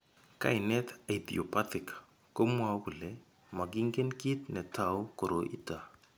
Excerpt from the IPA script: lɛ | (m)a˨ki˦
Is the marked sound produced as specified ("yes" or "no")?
yes